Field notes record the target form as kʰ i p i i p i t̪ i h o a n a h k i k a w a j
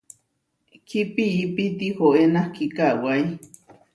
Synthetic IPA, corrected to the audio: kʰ i p i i p i t̪ i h o e n a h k i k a w a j